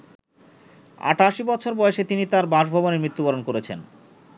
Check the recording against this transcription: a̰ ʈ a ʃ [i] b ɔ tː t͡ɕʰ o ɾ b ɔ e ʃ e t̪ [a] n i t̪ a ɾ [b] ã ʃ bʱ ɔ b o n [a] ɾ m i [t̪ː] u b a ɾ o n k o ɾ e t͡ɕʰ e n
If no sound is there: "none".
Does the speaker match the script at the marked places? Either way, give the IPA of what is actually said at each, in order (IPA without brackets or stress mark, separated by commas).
i, i, b, e, t̪ː